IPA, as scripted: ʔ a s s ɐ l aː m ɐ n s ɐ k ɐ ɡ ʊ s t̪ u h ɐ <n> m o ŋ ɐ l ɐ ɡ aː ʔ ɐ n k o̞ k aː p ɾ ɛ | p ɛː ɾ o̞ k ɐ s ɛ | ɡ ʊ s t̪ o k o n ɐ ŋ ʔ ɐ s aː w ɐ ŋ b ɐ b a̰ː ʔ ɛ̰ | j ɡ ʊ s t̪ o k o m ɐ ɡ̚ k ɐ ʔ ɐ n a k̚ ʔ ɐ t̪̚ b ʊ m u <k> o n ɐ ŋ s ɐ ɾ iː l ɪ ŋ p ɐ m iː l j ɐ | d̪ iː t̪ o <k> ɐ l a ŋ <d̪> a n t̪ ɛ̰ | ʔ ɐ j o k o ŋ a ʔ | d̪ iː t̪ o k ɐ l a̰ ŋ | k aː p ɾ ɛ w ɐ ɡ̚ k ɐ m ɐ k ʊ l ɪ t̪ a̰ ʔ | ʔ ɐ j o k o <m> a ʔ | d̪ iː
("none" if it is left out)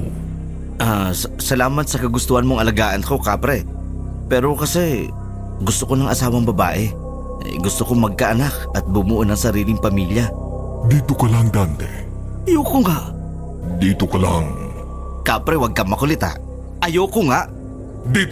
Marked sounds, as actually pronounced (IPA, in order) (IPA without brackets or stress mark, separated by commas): n, ʔ, k, d̪, ŋ